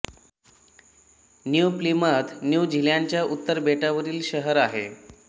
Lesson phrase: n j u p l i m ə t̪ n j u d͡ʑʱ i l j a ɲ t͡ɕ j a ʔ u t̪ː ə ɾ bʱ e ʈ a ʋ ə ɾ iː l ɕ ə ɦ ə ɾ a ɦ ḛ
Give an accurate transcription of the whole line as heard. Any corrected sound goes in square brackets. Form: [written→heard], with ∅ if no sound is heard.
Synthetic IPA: n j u p l i m ə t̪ n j u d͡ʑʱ i l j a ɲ t͡ɕ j a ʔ u t̪ː ə ɾ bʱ e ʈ a ʋ ə ɾ iː l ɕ ə ɦ ə ɾ a ɦ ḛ